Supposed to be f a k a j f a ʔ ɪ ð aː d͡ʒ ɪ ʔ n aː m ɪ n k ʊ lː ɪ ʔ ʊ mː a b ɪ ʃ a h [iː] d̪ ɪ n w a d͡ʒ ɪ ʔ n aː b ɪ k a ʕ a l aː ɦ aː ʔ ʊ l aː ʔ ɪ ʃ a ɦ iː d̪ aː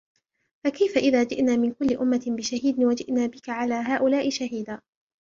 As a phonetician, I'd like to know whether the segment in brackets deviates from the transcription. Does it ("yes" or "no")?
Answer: no